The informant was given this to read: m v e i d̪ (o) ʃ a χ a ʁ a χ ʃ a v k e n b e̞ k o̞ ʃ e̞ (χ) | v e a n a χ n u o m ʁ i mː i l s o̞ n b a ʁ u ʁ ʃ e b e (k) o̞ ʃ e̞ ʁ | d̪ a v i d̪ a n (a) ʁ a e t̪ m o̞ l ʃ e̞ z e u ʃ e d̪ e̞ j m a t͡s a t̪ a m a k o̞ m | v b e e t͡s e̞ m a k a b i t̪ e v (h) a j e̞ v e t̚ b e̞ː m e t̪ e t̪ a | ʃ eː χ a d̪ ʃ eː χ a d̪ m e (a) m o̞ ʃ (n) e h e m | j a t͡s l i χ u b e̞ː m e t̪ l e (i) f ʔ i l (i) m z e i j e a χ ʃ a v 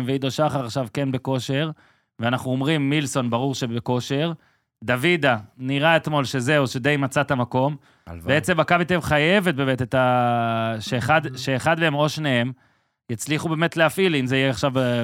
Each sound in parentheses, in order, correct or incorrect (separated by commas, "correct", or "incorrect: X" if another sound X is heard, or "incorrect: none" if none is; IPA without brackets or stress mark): correct, incorrect: ʁ, correct, incorrect: i, incorrect: χ, incorrect: e, correct, incorrect: a, correct